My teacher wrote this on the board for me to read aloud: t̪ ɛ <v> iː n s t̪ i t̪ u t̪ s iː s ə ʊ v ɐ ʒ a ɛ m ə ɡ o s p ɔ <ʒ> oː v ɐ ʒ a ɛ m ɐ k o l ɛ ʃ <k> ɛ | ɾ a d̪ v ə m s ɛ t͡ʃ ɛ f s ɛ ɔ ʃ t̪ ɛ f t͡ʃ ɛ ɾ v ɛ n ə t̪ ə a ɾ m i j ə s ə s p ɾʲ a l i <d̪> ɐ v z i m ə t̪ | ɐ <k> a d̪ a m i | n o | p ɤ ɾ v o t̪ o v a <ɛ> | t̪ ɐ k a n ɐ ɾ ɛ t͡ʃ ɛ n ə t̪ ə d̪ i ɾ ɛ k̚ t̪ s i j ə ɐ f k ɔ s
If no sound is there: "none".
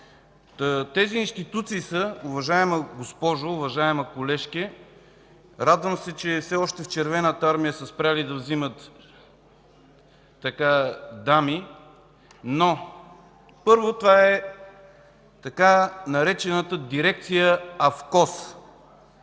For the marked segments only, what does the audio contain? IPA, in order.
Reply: z, ʒ, k, d̪, k, ɛ

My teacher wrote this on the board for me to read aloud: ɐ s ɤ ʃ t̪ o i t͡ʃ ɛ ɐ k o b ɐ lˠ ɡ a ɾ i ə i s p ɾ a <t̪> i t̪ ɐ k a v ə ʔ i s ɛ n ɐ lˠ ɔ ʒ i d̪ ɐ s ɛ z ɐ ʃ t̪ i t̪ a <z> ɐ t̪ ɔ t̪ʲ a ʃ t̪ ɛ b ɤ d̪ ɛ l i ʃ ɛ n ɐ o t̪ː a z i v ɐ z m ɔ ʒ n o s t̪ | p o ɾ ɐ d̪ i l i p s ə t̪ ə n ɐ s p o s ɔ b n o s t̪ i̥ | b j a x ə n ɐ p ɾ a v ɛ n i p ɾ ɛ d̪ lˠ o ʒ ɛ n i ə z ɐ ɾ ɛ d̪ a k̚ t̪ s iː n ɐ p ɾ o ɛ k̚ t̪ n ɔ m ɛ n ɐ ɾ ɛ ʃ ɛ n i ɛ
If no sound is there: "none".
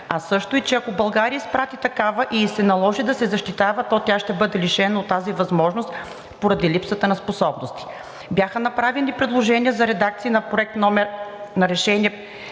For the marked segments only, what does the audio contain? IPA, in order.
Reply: t̪, v

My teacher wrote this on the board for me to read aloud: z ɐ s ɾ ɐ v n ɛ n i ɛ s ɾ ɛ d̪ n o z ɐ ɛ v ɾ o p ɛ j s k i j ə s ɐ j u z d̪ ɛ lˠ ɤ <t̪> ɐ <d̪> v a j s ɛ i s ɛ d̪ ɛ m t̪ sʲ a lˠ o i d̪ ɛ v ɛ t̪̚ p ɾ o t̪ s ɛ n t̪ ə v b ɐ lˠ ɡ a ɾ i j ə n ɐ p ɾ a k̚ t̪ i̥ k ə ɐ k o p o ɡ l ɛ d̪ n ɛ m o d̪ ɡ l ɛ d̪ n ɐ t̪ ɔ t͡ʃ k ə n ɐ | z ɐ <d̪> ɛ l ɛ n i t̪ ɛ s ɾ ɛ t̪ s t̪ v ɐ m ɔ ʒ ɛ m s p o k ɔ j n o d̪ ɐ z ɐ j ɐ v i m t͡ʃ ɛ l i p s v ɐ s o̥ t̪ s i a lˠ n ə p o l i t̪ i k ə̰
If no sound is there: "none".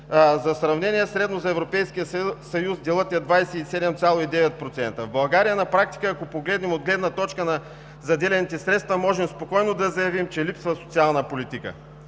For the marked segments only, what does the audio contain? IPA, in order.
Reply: t̪, d̪, d̪

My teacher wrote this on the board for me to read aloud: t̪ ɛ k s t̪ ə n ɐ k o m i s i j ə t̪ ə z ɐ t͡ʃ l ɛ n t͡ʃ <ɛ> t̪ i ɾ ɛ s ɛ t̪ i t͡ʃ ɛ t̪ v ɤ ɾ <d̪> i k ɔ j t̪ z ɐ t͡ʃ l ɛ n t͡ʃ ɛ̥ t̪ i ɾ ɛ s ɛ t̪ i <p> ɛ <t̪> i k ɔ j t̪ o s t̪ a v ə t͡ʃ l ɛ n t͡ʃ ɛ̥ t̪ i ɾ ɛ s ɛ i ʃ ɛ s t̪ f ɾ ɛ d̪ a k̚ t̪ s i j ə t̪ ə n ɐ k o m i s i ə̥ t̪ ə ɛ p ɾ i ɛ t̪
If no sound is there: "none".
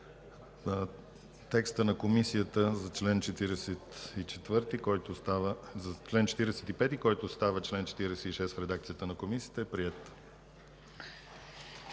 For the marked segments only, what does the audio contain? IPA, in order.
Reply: ɛ, t̪, p, t̪

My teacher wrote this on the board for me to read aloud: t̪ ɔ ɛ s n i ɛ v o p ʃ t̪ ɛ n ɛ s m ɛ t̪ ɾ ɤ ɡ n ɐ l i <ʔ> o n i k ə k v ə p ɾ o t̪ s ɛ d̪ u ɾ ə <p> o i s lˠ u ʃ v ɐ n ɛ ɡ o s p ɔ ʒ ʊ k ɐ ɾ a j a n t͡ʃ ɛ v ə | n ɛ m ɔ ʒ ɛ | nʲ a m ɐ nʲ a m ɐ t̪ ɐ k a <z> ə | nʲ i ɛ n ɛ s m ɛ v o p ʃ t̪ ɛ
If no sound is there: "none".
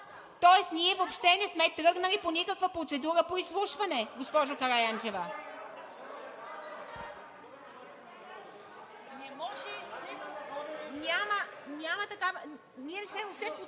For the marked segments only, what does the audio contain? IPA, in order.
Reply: p, p, v

